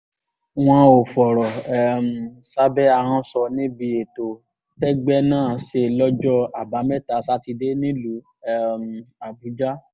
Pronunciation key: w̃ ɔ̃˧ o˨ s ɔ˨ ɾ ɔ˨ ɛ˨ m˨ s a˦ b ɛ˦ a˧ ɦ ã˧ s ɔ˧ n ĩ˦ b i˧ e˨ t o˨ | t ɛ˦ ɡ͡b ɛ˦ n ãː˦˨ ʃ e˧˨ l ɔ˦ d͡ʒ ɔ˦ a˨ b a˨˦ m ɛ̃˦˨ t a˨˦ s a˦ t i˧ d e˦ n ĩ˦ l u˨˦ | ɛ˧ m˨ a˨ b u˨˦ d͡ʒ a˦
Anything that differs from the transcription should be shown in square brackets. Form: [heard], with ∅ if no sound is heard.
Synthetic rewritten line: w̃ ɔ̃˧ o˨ [f] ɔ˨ ɾ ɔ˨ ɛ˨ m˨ s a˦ b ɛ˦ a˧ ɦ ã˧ s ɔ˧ n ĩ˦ b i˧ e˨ t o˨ | t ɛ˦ ɡ͡b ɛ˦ n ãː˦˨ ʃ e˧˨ l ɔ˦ d͡ʒ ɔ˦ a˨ b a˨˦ m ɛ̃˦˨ t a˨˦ s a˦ t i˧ d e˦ n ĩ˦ l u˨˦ | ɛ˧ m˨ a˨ b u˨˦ d͡ʒ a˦